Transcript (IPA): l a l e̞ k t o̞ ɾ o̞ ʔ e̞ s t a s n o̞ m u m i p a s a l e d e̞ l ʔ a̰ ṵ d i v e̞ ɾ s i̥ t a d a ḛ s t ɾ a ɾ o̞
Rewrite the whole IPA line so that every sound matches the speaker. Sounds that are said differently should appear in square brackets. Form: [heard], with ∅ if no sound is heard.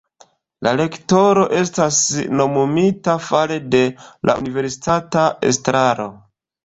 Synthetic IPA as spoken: l a l e̞ k t o̞ ɾ o̞ ʔ e̞ s t a s n o̞ m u m i [t] a [f] a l e d e̞ l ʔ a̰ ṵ [n] i v e̞ ɾ s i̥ t a [t] a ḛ s t ɾ a ɾ o̞